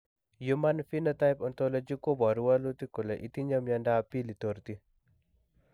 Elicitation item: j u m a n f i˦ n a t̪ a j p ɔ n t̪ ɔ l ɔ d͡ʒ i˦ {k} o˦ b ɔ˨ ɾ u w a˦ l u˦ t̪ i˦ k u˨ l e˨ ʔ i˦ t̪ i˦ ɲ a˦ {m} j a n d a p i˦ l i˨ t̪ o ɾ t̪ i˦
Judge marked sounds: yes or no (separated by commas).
yes, yes